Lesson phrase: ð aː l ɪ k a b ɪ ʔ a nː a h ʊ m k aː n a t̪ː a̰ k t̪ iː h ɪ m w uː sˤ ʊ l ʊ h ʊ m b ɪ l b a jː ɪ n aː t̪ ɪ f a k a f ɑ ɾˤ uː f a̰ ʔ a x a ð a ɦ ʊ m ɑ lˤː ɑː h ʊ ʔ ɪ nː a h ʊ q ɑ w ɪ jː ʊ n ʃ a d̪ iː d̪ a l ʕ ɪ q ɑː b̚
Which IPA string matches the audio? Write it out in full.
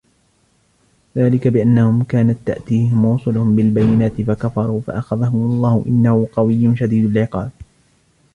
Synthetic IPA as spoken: ð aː l ɪ k a b ɪ ʔ a nː a h ʊ m k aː n a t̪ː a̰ ʔ t̪ iː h ɪ m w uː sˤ ʊ l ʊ h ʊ m b ɪ l b a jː ɪ n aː t̪ ɪ f a k a f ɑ ɾˤ uː f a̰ ʔ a x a ð a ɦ ʊ m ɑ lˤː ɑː h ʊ ʔ ɪ nː a h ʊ q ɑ w ɪ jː ʊ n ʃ a d̪ iː d̪ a l ʕ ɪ q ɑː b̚

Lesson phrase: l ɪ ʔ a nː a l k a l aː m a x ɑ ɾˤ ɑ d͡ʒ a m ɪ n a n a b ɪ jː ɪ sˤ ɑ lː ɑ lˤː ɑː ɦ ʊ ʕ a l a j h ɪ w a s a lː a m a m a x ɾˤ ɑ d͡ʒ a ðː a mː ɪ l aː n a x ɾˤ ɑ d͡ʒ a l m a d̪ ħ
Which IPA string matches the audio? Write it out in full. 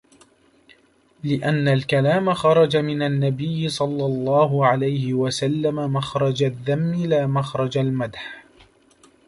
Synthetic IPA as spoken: l ɪ ʔ a nː a l k a l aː m a x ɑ ɾˤ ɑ d͡ʒ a m ɪ n a nː a b ɪ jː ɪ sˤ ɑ lː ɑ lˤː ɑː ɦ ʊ ʕ a l a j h ɪ w a s a lː a m a m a x ɾˤ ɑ d͡ʒ a ðː a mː ɪ l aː m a x ɾˤ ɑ d͡ʒ a l m a d̪ ħ

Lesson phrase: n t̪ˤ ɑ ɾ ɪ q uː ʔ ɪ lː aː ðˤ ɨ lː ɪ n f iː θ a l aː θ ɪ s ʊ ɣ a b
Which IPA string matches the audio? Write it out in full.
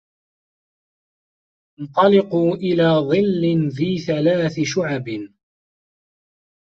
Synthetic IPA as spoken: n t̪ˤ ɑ l ɪ q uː ʔ ɪ l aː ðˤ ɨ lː ɪ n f iː θ a l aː θ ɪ ʃ ʊ ʕ a b

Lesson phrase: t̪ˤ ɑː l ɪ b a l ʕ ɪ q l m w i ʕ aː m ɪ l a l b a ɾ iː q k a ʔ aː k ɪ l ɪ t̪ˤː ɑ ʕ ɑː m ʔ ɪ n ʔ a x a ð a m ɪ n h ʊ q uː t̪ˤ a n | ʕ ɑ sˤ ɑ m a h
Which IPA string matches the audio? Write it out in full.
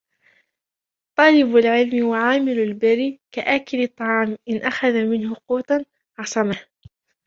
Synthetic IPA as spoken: t̪ˤ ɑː l ɪ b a l ʕ ɪ l m w a ʕ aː m ɪ l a l b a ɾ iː k a ʔ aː k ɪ l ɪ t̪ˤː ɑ ʕ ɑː m ʔ ɪ n ʔ a x a ð a m ɪ n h ʊ q uː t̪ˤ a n | ʕ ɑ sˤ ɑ m a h

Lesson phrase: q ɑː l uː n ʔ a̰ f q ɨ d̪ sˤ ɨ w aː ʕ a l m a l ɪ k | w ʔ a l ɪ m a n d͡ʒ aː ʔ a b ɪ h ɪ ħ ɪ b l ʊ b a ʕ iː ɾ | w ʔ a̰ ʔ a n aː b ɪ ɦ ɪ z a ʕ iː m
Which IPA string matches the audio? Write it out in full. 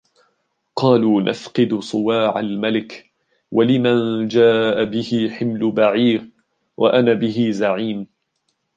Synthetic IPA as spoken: q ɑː l uː n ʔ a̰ f q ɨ d̪ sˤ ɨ w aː ʕ a l m a l ɪ k | w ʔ a l ɪ m a n d͡ʒ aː ʔ a b ɪ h ɪ ħ ɪ m l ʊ b a ʕ iː ɾ | w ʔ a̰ ʔ a n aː b ɪ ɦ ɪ z a ʕ iː m

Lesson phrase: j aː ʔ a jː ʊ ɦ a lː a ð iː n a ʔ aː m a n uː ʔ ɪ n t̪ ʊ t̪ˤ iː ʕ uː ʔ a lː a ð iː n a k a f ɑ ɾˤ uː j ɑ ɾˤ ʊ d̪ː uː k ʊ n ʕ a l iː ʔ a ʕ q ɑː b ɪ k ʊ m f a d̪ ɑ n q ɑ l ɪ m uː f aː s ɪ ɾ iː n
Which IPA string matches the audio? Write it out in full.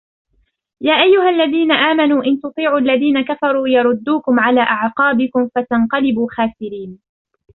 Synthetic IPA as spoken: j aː ʔ a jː ʊ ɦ a lː a ð iː n a ʔ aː m a n uː ʔ ɪ n t̪ ʊ t̪ˤ iː ʕ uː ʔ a lː a ð iː n a k a f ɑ ɾˤ uː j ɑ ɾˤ ʊ d̪ː uː k ʊ m ʕ a l aː ʔ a ʕ q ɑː b ɪ k ʊ m f a t̪ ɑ n q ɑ l ɪ b uː x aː s ɪ ɾ iː n

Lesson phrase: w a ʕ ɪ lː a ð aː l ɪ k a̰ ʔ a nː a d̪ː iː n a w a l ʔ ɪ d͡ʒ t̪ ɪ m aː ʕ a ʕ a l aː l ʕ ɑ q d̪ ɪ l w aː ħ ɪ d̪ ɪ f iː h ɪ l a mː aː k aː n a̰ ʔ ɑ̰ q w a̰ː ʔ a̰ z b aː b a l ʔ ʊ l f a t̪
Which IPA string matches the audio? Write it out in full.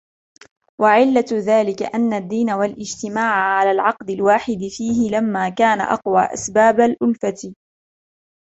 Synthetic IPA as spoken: w a ʕ ɪ lː a ð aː l ɪ k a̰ ʔ a nː a d̪ː iː n a w a l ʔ ɪ d͡ʒ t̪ ɪ m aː ʕ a ʕ a l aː l ʕ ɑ q d̪ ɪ l w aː ħ ɪ d̪ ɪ f iː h ɪ l a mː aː k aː n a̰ ʔ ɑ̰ q w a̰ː ʔ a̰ s b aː b a l ʔ ʊ l f a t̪

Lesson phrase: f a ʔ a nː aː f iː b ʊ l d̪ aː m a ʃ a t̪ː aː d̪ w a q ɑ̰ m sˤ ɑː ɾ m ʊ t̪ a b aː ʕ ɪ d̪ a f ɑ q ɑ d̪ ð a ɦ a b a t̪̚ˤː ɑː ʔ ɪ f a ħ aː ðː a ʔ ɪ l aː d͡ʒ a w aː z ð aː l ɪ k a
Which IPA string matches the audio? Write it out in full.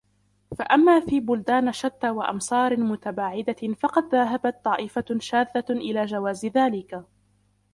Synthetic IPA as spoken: f a ʔ a mː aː f iː b ʊ l d̪ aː n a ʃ a t̪ː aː w a ʔ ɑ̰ m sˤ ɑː ɾ m ʊ t̪ a b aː ʕ ɪ d̪ a f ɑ q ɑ d̪ ð a ɦ a b a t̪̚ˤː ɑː ʔ ɪ f a ʃ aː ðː a ʔ ɪ l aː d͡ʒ a w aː z ð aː l ɪ k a

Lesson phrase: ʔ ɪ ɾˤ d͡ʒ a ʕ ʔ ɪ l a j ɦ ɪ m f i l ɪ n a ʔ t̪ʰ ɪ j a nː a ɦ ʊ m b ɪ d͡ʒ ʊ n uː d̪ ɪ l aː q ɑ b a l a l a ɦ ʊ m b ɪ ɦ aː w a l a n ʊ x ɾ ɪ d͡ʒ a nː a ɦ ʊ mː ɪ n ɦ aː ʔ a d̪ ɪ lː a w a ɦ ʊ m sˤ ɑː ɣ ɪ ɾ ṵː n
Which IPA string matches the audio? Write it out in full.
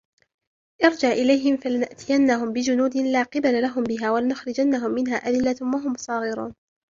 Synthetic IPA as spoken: ʔ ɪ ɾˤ d͡ʒ a ʕ ʔ ɪ l a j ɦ ɪ m f a l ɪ n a ʔ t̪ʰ ɪ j a nː a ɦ ʊ m b ɪ d͡ʒ ʊ n uː d̪ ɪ l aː q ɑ b a l a l a ɦ ʊ m b ɪ ɦ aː w a l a n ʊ x ɾ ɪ d͡ʒ a nː a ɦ ʊ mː ɪ n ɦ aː ʔ a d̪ ɪ lː a w a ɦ ʊ m sˤ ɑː ɣ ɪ ɾ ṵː n

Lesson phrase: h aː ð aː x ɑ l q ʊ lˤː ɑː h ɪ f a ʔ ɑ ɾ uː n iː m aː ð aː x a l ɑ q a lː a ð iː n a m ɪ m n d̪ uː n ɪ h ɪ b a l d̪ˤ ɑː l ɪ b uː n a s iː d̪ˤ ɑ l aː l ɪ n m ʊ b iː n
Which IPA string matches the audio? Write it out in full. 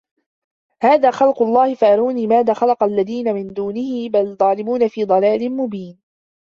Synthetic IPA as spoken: h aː ð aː x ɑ l q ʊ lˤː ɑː h ɪ f a ʔ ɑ ɾ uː n iː m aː ð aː x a l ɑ q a lː a ð iː n a m ɪ n d̪ uː n ɪ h ɪ b a l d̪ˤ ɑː l ɪ m uː n a f iː d̪ˤ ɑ l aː l ɪ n m ʊ b iː n

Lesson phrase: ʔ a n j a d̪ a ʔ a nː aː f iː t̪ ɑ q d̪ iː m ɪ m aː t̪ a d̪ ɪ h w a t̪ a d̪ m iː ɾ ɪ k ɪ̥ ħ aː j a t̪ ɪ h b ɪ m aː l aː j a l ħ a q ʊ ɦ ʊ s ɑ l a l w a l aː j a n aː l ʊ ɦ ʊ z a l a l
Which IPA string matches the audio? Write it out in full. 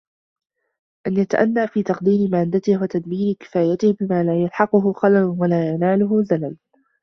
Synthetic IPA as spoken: ʔ a n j a t̪ a ʔ a nː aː f iː t̪ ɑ q d̪ iː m ɪ m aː d̪ a t̪ ɪ h w a t̪ a d̪ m iː ɾ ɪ k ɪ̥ f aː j a t̪ ɪ h b ɪ m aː l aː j a l ħ ɑ q ʊ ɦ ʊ x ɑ l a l w a l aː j a n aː l ʊ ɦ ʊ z a l a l

